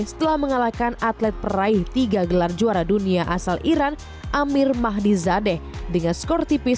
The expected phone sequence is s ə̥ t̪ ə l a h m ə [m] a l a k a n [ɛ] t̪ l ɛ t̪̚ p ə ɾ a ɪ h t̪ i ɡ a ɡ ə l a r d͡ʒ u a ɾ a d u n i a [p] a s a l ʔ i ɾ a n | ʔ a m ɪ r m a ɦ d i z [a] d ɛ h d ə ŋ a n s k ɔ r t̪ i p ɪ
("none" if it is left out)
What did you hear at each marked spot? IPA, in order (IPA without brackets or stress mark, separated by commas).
ŋ, a, ʔ, a